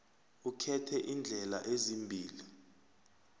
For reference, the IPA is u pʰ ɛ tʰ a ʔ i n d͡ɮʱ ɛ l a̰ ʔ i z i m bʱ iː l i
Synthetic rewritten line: u kʰ ɛ tʰ ɛ ʔ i n d͡ɮʱ ɛ l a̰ ʔ e z i m bʱ iː l i